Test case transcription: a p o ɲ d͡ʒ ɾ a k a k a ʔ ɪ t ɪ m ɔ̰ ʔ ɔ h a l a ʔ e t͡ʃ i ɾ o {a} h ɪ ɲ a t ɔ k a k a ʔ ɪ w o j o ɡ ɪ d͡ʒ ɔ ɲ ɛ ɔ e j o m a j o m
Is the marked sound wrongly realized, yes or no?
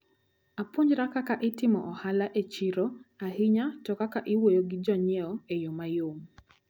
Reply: no